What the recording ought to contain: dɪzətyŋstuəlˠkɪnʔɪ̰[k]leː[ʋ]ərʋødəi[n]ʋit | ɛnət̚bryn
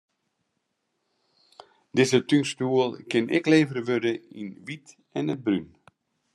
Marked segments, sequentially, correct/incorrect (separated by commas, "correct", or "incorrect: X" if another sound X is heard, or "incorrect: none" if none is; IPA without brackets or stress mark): correct, incorrect: v, correct